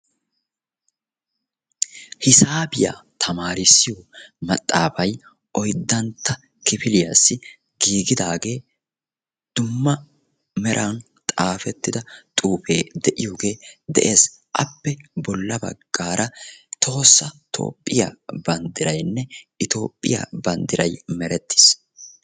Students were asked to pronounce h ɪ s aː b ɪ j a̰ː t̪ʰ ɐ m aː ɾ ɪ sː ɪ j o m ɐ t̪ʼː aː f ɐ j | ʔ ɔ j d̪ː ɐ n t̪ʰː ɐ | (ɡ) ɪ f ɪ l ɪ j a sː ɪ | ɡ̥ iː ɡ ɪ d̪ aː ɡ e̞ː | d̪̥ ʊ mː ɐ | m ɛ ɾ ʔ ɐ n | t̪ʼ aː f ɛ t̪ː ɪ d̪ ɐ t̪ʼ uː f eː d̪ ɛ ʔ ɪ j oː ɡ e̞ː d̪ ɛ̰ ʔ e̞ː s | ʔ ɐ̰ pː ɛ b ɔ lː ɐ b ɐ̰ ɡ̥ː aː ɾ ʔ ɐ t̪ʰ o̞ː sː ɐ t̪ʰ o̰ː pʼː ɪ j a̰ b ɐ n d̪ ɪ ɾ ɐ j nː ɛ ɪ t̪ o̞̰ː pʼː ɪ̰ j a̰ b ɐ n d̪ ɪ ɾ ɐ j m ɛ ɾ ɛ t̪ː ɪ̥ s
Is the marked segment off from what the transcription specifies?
yes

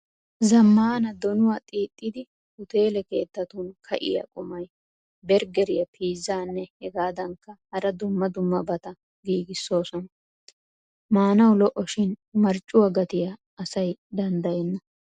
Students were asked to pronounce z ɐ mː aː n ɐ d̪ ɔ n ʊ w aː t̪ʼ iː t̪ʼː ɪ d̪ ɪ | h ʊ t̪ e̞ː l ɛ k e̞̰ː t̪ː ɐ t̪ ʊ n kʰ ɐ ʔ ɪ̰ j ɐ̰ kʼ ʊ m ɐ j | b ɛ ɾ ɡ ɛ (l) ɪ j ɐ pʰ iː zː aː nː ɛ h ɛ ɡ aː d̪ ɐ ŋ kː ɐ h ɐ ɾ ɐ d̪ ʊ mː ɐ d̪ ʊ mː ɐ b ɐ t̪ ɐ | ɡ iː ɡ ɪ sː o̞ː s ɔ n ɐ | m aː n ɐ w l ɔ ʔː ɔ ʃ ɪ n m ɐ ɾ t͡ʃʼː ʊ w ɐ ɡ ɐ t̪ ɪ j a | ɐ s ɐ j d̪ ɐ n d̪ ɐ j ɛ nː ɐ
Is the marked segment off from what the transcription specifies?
yes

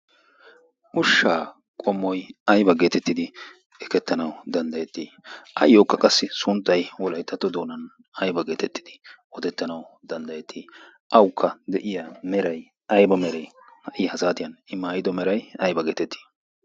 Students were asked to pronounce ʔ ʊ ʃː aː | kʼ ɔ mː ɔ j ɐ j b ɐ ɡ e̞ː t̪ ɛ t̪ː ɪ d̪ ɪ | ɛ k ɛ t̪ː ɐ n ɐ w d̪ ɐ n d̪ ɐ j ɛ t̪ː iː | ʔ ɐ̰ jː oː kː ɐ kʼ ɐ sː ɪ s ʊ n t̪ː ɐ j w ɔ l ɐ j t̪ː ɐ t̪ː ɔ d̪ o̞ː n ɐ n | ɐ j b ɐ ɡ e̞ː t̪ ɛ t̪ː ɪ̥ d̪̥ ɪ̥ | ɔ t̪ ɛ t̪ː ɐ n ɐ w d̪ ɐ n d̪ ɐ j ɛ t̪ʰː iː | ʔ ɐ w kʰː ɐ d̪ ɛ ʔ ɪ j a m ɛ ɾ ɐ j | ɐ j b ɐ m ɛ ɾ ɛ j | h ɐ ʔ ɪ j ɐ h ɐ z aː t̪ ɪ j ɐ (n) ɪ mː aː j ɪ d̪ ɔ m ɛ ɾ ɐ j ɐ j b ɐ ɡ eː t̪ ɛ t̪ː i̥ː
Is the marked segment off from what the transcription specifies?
no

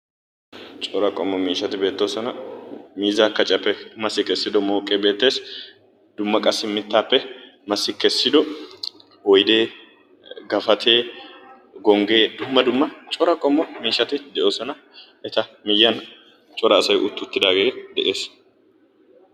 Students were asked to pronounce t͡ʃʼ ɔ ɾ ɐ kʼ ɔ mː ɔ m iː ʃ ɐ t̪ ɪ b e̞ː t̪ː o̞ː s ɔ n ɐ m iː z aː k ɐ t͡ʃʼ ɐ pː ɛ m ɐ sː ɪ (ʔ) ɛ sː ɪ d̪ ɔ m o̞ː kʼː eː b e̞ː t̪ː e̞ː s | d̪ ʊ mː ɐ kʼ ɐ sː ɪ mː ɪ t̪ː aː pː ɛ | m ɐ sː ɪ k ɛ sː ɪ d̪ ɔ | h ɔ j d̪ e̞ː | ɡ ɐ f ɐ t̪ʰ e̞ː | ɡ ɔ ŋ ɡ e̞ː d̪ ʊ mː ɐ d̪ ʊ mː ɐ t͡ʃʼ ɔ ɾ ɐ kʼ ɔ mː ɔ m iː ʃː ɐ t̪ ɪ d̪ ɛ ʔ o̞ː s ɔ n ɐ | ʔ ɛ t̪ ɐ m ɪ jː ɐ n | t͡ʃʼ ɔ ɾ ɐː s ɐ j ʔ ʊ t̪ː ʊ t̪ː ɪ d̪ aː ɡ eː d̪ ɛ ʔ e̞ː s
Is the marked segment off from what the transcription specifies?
yes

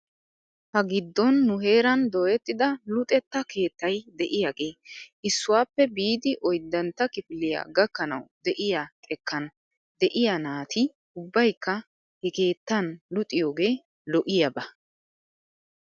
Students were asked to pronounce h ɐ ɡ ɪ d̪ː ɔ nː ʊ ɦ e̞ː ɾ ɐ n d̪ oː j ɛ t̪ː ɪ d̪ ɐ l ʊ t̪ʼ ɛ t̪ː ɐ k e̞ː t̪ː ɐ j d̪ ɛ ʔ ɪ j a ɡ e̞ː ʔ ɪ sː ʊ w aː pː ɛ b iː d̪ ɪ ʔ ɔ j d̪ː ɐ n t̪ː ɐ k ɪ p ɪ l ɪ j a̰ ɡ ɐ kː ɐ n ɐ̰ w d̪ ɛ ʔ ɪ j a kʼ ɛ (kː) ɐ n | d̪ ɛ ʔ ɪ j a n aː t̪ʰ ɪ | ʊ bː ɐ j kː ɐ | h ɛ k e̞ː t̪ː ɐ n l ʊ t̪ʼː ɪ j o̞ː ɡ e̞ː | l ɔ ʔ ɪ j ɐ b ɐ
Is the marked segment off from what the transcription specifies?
no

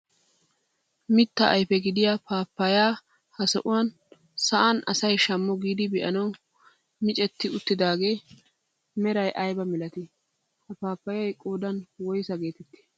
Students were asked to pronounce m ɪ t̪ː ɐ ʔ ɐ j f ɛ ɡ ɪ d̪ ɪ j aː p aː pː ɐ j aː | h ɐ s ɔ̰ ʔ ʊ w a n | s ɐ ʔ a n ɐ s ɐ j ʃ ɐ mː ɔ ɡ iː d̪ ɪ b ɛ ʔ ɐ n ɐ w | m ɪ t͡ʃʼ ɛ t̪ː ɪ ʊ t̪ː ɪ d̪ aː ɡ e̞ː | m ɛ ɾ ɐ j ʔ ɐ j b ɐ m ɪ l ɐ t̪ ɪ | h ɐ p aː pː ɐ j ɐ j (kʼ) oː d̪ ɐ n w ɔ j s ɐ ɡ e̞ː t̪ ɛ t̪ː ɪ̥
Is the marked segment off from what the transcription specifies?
no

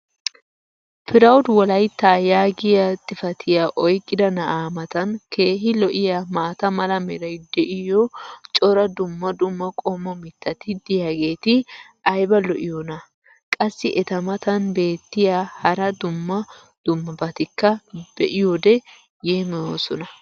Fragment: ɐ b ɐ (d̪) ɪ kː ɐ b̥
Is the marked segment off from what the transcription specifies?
yes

